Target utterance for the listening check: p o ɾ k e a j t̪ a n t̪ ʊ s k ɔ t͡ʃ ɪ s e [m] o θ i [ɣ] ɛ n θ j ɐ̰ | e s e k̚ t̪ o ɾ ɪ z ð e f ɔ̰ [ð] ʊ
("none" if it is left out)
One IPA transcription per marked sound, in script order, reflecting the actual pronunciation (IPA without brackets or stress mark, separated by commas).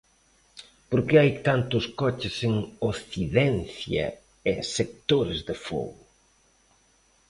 ŋ, ð, ɣ